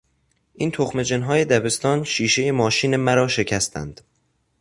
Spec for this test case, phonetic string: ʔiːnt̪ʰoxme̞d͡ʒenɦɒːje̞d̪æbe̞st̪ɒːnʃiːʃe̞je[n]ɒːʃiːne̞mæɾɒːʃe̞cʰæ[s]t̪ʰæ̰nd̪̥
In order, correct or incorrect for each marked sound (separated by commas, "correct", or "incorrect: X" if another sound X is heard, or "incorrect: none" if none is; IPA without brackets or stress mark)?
incorrect: m, correct